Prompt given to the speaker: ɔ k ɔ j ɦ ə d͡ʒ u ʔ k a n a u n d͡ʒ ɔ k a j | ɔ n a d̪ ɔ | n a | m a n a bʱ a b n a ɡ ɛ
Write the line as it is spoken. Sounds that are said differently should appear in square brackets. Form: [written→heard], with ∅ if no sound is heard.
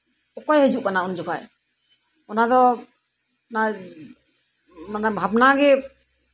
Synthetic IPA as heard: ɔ k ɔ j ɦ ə d͡ʒ u ʔ k a n a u n d͡ʒ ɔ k a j | ɔ n a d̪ ɔ | n a | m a n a bʱ a b n a ɡ ɛ